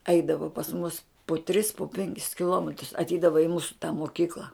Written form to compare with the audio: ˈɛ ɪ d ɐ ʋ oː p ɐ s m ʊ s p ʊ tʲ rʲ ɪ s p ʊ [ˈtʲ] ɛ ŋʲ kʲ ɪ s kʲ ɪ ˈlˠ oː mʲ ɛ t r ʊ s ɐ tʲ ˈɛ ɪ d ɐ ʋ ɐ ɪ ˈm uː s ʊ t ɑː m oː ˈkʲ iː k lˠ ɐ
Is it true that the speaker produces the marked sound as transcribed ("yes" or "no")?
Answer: no